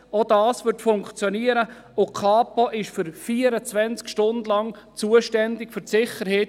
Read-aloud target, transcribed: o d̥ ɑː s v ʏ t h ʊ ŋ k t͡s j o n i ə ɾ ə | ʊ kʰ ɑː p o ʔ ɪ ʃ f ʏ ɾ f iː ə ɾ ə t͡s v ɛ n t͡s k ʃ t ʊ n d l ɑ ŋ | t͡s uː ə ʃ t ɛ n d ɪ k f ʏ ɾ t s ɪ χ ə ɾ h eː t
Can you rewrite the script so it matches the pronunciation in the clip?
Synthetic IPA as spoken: o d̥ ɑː s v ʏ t f ʊ ŋ k t͡s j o n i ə ɾ ə | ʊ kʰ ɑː p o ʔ ɪ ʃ f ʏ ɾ f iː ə ɾ ə t͡s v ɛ n t͡s k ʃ t ʊ n d l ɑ ŋ | t͡s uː ə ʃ t ɛ n d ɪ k f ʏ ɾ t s ɪ χ ə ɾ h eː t